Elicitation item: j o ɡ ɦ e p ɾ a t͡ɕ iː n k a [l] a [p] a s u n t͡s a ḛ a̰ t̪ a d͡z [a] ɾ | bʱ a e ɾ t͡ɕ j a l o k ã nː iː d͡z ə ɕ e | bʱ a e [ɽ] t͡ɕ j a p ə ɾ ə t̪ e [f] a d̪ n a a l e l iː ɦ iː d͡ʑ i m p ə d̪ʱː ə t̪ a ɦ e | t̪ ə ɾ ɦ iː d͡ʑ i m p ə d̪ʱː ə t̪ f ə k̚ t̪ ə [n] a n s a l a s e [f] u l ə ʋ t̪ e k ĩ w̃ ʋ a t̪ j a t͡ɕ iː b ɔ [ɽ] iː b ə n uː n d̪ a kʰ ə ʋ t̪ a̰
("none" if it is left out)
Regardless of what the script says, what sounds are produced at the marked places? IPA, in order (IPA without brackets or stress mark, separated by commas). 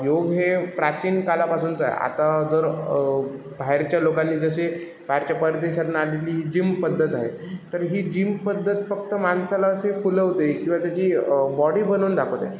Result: l, p, ə, ɾ, ɕ, m, f, ɽ